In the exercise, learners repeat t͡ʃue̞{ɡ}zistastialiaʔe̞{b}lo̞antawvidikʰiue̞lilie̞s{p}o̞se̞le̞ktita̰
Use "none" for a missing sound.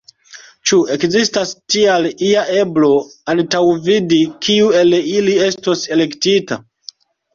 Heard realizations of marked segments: k, b, t

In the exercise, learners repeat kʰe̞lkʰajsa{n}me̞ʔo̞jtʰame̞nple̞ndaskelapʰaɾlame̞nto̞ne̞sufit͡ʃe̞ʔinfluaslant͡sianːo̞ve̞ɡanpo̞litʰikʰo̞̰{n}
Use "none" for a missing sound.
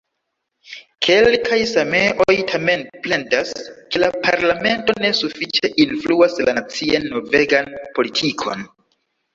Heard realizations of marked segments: none, n

